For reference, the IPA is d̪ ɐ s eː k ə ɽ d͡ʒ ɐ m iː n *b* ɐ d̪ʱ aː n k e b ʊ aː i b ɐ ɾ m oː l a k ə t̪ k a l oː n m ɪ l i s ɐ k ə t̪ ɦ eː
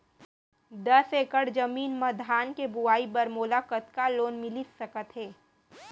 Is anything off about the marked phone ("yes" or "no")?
yes